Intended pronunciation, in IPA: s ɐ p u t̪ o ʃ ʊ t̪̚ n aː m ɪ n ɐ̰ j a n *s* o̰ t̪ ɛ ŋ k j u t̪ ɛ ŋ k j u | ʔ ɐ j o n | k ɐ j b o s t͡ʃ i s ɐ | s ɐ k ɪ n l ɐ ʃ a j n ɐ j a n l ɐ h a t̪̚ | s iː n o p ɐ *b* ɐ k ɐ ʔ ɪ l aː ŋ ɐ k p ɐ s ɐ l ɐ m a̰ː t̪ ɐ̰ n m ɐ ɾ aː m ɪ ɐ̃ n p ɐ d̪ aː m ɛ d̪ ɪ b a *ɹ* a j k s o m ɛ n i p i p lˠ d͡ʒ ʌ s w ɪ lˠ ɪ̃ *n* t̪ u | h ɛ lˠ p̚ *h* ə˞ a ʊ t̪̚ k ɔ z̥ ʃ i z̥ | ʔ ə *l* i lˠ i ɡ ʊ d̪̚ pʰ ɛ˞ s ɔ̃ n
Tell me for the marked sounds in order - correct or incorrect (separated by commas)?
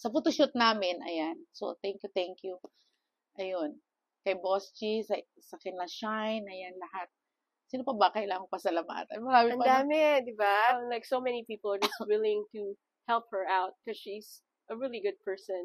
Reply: correct, correct, incorrect, incorrect, correct, incorrect